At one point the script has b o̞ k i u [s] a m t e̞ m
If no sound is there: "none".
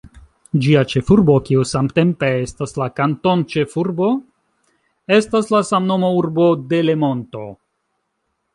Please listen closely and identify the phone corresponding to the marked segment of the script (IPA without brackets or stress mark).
s